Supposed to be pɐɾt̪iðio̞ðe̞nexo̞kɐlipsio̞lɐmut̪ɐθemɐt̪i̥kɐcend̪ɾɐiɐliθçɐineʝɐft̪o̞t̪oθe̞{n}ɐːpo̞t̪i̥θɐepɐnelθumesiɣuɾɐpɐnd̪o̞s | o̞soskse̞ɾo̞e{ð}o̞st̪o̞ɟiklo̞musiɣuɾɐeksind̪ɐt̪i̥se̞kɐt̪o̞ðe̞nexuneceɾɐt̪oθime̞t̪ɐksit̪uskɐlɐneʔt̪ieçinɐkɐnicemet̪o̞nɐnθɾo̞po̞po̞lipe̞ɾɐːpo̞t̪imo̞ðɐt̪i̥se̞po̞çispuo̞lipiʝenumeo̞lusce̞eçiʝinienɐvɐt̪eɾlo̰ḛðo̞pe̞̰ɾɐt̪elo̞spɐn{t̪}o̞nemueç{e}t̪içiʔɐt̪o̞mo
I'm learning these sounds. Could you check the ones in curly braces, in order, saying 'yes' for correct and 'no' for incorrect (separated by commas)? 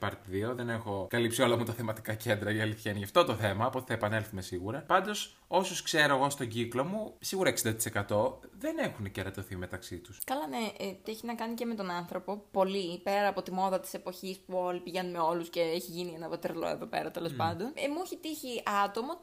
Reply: no, no, no, no